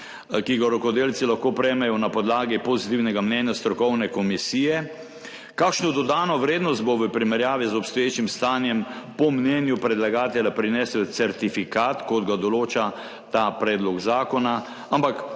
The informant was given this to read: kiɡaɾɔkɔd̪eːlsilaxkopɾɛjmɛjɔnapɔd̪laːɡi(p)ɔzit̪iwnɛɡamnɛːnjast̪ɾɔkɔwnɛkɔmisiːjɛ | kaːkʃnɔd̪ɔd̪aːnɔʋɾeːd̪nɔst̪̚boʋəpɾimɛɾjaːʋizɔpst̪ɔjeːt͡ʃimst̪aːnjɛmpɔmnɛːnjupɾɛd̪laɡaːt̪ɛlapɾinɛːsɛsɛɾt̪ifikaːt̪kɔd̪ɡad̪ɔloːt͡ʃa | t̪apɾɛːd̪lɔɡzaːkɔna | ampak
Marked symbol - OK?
yes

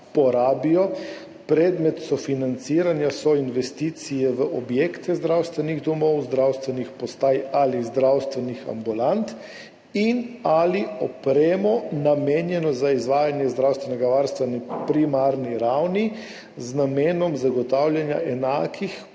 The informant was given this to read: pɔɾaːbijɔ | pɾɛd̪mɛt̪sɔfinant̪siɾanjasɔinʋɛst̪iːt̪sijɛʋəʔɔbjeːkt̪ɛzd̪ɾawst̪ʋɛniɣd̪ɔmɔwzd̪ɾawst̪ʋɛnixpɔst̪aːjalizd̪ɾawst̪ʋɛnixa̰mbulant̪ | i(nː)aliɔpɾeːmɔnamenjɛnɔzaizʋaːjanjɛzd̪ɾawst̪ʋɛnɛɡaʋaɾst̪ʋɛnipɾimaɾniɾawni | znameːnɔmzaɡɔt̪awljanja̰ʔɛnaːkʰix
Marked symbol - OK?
no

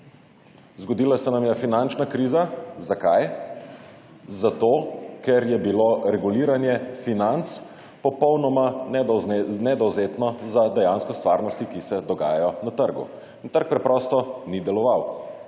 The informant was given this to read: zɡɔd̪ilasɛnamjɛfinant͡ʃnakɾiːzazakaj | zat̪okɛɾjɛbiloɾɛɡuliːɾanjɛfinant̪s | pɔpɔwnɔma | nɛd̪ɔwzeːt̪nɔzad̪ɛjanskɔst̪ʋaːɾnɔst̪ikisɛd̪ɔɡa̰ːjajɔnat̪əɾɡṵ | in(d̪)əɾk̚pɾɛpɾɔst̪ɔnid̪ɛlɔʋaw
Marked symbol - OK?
no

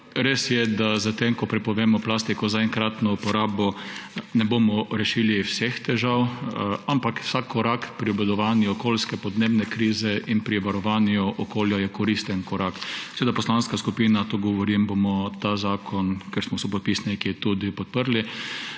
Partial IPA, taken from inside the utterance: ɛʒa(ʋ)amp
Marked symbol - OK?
no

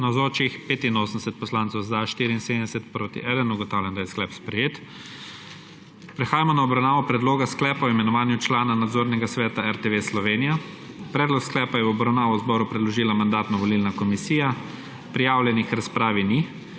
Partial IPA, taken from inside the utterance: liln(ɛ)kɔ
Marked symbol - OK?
no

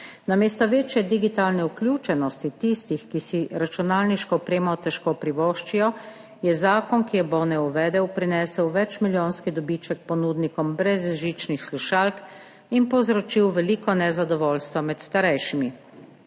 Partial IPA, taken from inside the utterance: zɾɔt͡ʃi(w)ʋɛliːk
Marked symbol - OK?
yes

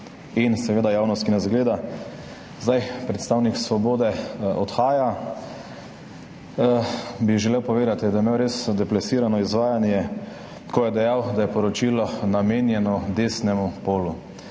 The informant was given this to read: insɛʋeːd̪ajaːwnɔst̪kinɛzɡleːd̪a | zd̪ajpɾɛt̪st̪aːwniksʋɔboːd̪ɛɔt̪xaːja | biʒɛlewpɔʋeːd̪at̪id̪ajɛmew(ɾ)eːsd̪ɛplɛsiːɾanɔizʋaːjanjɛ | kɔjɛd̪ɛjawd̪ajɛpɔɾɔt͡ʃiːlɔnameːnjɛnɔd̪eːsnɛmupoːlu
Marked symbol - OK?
yes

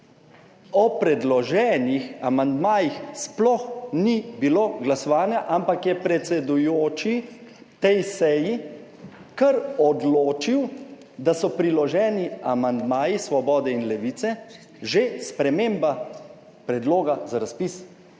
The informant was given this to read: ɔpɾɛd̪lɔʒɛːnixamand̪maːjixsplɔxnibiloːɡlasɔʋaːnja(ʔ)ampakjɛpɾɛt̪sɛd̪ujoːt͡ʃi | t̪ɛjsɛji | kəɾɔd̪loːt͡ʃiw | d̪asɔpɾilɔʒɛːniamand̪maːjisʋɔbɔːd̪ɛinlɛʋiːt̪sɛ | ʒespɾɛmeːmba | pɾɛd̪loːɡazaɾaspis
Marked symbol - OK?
yes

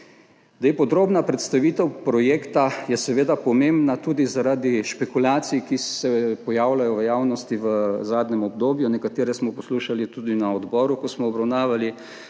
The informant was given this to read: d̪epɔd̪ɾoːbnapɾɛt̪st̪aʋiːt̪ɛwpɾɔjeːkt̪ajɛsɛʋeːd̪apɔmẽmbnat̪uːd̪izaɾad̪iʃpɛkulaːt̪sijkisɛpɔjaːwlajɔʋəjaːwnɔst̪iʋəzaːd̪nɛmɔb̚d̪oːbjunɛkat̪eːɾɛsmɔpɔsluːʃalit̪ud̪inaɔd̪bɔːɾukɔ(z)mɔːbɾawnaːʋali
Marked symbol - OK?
no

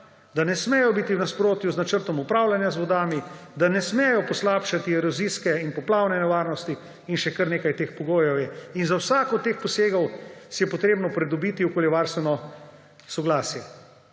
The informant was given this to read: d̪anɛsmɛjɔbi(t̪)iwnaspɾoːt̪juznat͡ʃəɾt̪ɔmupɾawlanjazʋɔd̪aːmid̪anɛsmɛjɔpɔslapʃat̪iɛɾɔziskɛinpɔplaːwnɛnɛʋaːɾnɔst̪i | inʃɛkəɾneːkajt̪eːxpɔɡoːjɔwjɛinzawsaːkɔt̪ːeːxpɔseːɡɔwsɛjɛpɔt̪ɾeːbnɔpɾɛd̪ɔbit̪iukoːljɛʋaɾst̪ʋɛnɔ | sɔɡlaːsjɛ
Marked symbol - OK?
yes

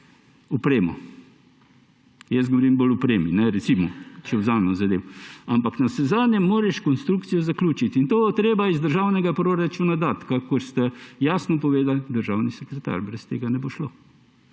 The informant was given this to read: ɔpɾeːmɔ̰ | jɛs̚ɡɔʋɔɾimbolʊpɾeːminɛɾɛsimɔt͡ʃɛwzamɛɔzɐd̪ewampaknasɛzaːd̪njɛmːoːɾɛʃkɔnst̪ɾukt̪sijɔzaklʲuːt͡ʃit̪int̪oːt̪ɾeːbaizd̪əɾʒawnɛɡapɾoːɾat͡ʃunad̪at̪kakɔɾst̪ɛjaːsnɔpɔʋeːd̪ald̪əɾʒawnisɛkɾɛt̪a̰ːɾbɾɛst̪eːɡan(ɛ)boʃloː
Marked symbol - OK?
yes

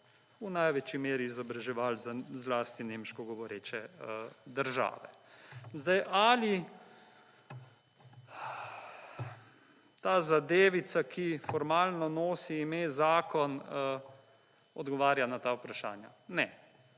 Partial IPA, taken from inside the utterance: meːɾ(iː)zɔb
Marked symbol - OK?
yes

